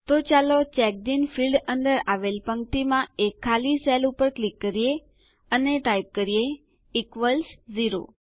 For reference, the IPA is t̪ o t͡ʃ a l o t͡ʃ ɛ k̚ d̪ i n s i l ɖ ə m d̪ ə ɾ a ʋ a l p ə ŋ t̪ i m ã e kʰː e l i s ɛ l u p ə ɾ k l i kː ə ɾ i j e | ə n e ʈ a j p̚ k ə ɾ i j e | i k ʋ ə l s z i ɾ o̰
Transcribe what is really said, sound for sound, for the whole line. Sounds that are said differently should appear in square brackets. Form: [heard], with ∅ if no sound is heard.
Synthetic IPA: t̪ o t͡ʃ a l o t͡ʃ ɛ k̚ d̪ i n [f] i l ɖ ə [n] d̪ ə ɾ a ʋ [e] l p ə ŋ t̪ i m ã e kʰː [a] l i s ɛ l u p ə ɾ k l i kː ə ɾ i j e | ə n e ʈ a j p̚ k ə ɾ i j e | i k ʋ ə l s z i ɾ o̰